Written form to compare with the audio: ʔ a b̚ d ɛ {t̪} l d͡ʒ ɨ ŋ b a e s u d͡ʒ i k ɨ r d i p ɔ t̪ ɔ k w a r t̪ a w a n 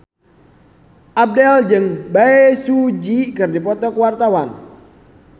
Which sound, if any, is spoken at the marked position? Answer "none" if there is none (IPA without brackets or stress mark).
none